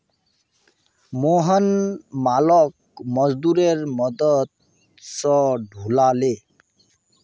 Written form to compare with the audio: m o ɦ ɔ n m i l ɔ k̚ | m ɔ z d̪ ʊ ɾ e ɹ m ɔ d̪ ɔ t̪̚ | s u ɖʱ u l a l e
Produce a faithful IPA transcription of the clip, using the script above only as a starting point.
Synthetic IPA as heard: m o ɦ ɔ n m a l ɔ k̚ | m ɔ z d̪ u ɾ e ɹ m ɔ d̪ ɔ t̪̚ | s ɔ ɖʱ u l a l e